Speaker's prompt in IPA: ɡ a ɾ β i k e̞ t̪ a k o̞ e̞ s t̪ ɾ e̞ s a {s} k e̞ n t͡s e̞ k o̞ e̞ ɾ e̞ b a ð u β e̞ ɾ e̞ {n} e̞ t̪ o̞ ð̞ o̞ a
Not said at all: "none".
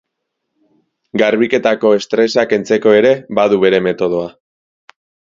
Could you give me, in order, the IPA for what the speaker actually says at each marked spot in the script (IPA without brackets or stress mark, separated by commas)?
none, m